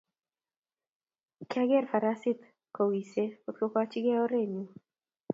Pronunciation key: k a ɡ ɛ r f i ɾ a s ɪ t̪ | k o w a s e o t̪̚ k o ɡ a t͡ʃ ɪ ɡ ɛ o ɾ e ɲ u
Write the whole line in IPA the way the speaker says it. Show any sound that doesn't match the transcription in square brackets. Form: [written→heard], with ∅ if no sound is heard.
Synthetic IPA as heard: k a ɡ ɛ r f [i→a] ɾ a s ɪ t̪ | k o w [a→i] s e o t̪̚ k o [ɡ→k] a t͡ʃ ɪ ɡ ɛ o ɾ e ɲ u